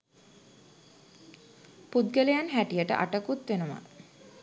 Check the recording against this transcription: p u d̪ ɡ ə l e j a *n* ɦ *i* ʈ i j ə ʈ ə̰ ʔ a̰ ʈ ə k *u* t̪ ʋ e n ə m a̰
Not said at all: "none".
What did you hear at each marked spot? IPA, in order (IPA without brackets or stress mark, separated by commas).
n, æ, u